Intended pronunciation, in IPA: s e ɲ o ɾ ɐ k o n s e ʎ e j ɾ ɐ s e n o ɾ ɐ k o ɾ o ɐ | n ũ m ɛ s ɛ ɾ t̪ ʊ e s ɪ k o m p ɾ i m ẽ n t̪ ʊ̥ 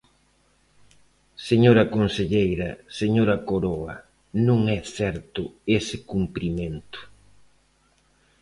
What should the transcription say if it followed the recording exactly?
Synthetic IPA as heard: s e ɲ o ɾ ɐ k o n s e ʎ e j ɾ ɐ s e ɲ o ɾ ɐ k o ɾ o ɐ | n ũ ŋ ɛ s ɛ ɾ t̪ ʊ e s ɪ k u m p ɾ i m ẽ n t̪ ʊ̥